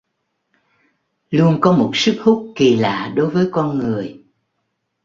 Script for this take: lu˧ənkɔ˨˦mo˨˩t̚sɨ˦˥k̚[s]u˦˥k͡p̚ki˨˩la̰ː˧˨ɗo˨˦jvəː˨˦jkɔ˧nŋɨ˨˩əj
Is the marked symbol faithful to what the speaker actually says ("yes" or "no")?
no